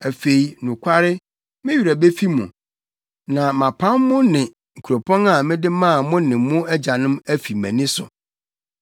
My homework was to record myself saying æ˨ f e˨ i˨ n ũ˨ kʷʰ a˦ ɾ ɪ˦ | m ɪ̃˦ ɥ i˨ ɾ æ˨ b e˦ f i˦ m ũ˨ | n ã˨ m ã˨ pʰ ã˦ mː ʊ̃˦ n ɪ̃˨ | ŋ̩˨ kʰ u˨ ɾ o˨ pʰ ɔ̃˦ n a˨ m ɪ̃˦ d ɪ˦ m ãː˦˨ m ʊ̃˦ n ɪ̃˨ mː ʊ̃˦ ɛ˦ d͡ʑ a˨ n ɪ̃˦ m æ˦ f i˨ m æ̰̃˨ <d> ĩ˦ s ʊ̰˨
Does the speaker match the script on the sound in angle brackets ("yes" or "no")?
no